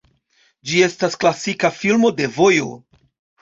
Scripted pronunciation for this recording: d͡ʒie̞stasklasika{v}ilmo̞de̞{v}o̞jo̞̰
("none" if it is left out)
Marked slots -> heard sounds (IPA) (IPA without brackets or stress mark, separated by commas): f, v